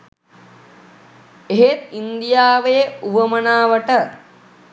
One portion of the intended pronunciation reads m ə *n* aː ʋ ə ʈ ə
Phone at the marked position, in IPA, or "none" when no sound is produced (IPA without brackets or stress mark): n